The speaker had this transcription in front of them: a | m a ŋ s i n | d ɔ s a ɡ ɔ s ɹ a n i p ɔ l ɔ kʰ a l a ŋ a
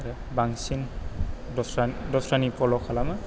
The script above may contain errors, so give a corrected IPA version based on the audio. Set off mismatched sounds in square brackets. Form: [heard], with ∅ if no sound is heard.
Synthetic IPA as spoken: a | [b] a ŋ s i n | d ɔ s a [d] ɔ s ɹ a n i p ɔ l ɔ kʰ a l a [m] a